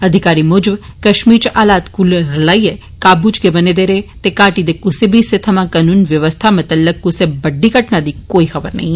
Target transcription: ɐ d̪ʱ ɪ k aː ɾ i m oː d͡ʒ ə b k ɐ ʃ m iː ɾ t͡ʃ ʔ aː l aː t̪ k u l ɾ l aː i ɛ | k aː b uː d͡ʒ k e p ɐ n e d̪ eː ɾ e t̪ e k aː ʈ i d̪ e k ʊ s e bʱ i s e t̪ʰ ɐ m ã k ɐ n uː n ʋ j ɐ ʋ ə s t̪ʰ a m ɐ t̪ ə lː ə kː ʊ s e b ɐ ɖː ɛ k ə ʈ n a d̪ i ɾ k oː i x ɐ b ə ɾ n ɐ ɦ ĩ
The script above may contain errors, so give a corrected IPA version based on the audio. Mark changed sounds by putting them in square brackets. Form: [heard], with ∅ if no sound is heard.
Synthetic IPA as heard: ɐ d̪ʱ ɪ k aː ɾ i m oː d͡ʒ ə b k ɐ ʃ m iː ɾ t͡ʃ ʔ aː l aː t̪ k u l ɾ l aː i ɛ | k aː b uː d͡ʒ k e [b] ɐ n e d̪ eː ɾ e t̪ e k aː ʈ i d̪ e k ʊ s e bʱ i s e t̪ʰ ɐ m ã k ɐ n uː n ʋ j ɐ ʋ ə s t̪ʰ a m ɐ t̪ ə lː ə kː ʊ s e b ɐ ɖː [i] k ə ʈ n a d̪ i [∅] k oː i x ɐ b ə ɾ n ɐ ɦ ĩ

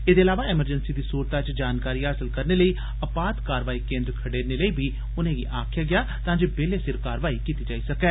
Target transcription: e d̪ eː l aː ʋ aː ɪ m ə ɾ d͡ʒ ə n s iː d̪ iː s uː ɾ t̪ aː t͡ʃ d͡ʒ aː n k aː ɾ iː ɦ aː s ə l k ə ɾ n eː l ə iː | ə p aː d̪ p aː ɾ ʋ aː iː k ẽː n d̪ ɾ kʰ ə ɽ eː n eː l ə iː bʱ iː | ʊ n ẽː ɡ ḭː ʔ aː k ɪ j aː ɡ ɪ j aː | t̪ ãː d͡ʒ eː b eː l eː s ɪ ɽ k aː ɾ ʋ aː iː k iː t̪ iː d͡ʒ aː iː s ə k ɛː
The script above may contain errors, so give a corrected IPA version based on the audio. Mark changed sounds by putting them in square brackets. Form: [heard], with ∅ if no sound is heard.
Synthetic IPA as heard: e d̪ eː l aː ʋ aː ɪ m ə ɾ d͡ʒ ə n s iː d̪ iː s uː ɾ t̪ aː t͡ʃ d͡ʒ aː n k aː ɾ iː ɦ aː s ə l k ə ɾ n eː l ə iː | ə p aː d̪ [k] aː ɾ ʋ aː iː k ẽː n d̪ ɾ kʰ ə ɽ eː n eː l ə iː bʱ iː | ʊ n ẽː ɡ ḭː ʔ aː [kʰ] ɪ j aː ɡ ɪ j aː | t̪ ãː d͡ʒ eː b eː l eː s ɪ [ɾ] k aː ɾ ʋ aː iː k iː t̪ iː d͡ʒ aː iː s ə k ɛː

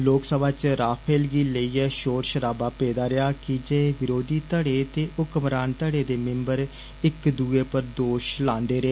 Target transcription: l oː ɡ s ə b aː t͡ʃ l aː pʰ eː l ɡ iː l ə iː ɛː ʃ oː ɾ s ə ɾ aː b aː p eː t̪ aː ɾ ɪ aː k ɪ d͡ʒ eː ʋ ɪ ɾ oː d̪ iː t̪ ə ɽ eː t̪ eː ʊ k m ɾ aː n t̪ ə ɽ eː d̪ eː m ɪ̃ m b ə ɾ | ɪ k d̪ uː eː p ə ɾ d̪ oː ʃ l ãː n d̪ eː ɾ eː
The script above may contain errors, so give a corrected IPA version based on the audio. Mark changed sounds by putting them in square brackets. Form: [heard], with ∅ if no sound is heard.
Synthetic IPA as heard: l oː [k] s ə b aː t͡ʃ [ɾ] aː pʰ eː l ɡ iː l ə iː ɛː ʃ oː ɾ [ʃ] ə ɾ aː b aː p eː [d̪] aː ɾ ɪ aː k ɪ d͡ʒ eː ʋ ɪ ɾ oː d̪ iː t̪ ə ɽ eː t̪ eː ʊ k m ɾ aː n t̪ ə ɽ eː d̪ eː m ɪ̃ m b ə ɾ | ɪ k d̪ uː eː p ə ɾ d̪ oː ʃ l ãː n d̪ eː ɾ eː

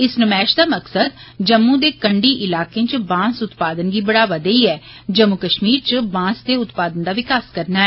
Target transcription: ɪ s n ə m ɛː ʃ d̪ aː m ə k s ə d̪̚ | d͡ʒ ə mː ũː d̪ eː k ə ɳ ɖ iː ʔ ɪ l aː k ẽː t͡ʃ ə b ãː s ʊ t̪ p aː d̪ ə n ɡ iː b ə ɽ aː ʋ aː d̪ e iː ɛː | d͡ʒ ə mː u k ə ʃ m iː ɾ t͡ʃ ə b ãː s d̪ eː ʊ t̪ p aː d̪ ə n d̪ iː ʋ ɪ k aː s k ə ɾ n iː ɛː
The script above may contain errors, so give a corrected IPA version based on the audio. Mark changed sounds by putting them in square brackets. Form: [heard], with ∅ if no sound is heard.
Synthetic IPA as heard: ɪ s n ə m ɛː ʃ d̪ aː m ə k s ə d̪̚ | d͡ʒ ə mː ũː d̪ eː k ə ɳ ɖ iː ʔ ɪ l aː k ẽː t͡ʃ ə b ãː s ʊ t̪ p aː d̪ ə n ɡ iː b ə ɽ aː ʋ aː d̪ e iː ɛː | d͡ʒ ə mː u k ə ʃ m iː ɾ t͡ʃ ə b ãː s d̪ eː ʊ t̪ p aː d̪ ə n d̪ [aː] ʋ ɪ k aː s k ə ɾ n [aː] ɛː

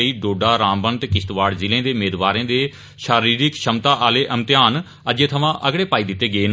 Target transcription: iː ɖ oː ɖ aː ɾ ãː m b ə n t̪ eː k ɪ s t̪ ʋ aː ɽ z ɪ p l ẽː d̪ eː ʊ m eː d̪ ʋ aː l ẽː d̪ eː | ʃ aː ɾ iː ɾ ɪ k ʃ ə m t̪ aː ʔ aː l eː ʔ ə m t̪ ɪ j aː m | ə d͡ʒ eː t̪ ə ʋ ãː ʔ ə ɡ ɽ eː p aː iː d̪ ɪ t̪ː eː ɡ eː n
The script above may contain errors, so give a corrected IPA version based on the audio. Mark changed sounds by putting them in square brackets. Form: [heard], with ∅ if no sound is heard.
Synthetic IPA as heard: iː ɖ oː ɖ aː ɾ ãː m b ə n t̪ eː k ɪ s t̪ ʋ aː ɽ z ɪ [∅] l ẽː d̪ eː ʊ m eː d̪ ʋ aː [ɾ] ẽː d̪ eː | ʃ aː ɾ iː ɾ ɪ k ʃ ə m t̪ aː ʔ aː l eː ʔ ə m t̪ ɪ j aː [n] | ə d͡ʒ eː [t̪ʰ] ə ʋ ãː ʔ ə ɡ ɽ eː p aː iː d̪ ɪ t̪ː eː ɡ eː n

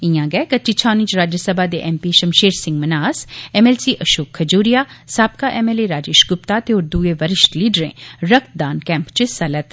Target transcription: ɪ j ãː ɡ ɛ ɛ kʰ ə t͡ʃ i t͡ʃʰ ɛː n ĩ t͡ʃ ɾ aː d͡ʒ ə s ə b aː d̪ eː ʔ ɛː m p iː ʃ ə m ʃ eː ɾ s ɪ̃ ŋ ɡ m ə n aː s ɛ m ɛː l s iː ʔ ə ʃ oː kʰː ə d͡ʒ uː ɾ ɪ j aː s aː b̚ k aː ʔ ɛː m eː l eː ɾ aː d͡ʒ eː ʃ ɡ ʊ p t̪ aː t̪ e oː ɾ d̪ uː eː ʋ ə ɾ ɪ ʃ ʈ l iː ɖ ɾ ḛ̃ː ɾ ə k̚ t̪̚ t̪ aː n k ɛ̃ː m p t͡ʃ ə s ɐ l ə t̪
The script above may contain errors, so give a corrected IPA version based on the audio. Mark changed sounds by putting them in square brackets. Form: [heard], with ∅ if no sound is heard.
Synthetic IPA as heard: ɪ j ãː ɡ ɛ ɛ [k] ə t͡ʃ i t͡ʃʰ [aː] n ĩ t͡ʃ ɾ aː d͡ʒ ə s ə b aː d̪ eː ʔ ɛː m p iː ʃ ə m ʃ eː ɾ s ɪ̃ ŋ ɡ m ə n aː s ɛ m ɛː l s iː ʔ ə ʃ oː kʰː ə d͡ʒ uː ɾ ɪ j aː s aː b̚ k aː ʔ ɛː m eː l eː ɾ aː d͡ʒ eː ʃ ɡ ʊ p t̪ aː t̪ e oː ɾ d̪ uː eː ʋ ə ɾ ɪ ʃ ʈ l iː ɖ ɾ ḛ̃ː ɾ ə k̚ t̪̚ [d̪] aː n k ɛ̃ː m p t͡ʃ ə s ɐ l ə t̪

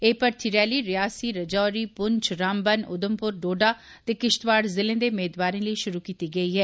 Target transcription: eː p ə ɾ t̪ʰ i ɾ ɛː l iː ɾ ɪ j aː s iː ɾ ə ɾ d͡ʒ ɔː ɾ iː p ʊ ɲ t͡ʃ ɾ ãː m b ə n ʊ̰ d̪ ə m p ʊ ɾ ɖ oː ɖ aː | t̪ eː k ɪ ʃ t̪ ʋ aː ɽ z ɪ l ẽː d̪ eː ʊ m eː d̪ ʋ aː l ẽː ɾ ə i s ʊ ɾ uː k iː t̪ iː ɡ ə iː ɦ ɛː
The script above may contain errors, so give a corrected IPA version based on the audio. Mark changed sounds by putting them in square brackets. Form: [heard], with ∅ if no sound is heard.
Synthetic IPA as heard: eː p ə ɾ t̪ʰ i ɾ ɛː l iː ɾ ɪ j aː s iː ɾ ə [∅] d͡ʒ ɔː ɾ iː p ʊ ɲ t͡ʃ ɾ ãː m b ə n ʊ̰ d̪ ə m p ʊ ɾ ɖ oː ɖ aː | t̪ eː k ɪ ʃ t̪ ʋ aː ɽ z ɪ l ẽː d̪ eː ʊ m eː d̪ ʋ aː [ɾ] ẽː [l] ə i [ʃ] ʊ ɾ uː k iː t̪ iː ɡ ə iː ɦ ɛː

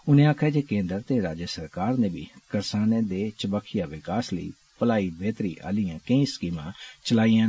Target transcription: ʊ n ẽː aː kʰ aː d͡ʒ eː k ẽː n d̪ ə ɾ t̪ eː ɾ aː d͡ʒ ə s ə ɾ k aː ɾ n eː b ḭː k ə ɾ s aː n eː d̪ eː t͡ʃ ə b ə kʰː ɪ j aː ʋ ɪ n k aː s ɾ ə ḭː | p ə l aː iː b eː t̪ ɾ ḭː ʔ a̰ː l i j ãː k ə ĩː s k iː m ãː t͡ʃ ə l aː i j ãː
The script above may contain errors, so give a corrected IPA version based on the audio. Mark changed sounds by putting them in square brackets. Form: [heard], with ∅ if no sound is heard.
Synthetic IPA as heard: ʊ n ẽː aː kʰ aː d͡ʒ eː k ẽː n d̪ ə ɾ t̪ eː ɾ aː d͡ʒ ə s ə ɾ k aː ɾ n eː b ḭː k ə ɾ s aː n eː d̪ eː t͡ʃ ə b ə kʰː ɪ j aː ʋ ɪ [∅] k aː s [l] ə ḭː | p ə l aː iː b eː t̪ ɾ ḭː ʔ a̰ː l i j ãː k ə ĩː s k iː m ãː t͡ʃ ə l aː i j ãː

